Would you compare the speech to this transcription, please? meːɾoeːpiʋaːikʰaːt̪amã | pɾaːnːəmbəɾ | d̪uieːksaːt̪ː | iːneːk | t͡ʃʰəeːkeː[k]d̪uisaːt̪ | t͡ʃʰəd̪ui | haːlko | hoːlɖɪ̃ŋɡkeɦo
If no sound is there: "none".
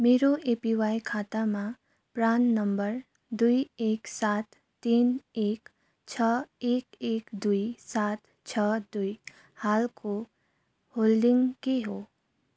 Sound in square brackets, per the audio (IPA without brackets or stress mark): k